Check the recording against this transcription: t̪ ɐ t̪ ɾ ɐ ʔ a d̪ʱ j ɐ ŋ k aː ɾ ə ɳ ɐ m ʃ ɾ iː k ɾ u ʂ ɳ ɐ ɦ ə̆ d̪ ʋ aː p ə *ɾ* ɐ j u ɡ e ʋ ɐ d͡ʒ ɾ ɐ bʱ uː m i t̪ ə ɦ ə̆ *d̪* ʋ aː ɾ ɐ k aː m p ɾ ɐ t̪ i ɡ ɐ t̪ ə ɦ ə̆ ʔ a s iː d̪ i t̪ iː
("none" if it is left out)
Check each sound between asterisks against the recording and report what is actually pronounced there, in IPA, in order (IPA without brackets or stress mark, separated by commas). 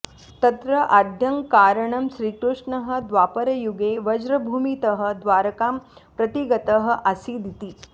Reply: ɾ, d̪